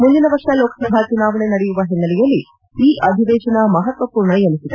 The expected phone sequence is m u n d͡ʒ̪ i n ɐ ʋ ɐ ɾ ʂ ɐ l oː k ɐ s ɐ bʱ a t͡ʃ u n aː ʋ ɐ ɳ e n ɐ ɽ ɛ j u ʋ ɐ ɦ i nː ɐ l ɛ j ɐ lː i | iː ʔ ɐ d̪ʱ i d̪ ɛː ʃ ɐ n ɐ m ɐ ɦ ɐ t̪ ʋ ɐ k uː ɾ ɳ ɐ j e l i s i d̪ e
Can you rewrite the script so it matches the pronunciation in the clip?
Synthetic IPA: m u n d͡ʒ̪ i n ɐ ʋ ɐ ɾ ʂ ɐ l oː k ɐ s ɐ bʱ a t͡ʃ u n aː ʋ ɐ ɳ e n ɐ ɽ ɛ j u ʋ ɐ ɦ i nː ɐ l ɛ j ɐ lː i | iː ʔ ɐ d̪ʱ i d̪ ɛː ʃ ɐ n ɐ m ɐ ɦ ɐ t̪ ʋ ɐ p uː ɾ ɳ ɐ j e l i s i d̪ e